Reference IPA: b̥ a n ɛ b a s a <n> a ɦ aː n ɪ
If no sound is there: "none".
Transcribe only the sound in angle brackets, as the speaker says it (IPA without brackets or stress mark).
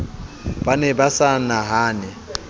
n